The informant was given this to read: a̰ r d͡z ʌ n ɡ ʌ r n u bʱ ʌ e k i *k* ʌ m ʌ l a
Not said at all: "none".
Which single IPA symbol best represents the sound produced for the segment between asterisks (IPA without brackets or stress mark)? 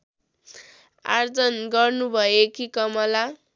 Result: k